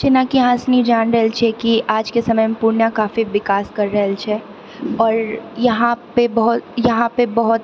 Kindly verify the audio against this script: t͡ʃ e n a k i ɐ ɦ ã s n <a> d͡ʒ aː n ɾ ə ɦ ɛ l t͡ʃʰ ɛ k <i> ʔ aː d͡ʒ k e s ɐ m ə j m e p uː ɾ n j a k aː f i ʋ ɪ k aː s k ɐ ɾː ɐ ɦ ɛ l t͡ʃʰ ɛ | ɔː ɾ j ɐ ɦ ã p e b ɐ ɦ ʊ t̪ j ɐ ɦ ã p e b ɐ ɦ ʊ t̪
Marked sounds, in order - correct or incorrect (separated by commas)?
incorrect, correct